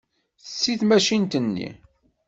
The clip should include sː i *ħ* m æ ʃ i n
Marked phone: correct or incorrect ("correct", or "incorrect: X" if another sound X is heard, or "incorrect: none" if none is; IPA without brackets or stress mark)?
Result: incorrect: θ